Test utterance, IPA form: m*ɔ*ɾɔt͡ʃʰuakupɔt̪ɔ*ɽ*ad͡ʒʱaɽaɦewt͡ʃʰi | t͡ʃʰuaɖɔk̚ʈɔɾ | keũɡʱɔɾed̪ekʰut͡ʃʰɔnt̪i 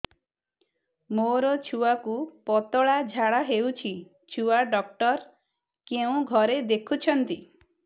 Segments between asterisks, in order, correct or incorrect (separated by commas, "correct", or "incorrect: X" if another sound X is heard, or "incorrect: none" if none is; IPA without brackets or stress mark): incorrect: o, incorrect: ɭ